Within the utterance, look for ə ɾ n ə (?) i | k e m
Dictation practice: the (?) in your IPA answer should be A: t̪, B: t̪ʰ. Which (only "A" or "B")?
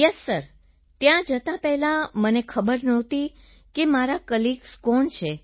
A